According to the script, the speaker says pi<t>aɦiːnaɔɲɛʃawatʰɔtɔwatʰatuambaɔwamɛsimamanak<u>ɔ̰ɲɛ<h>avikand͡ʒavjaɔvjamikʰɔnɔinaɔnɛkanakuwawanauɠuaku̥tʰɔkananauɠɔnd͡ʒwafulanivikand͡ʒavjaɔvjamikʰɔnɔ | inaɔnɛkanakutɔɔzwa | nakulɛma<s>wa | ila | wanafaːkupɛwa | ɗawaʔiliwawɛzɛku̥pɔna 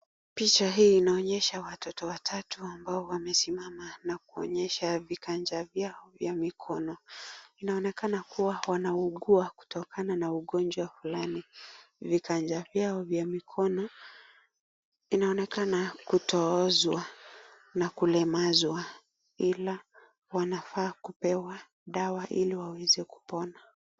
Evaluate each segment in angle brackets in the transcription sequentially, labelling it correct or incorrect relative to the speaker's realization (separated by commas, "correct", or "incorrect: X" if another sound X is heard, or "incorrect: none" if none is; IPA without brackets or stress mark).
incorrect: t͡ʃ, correct, incorrect: ʃ, incorrect: z